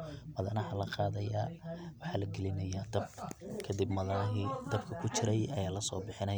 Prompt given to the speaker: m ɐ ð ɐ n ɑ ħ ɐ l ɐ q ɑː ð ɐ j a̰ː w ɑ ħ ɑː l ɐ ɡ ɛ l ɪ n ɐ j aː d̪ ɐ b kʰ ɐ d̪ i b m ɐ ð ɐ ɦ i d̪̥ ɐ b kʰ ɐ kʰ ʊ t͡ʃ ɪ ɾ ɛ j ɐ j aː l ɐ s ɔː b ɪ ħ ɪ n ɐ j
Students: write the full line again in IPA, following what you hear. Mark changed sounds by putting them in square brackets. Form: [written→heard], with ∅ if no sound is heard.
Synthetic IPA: m ɐ ð ɐ n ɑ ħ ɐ l ɐ q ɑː ð ɐ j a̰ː w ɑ ħ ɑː l ɐ ɡ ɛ l ɪ n ɐ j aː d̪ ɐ b kʰ ɐ d̪ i b m ɐ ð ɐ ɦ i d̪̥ ɐ b kʰ ɐ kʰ ʊ t͡ʃ ɪ ɾ ɛ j ɐ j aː l ɐ s ɔː b ɪ ħ ɪ n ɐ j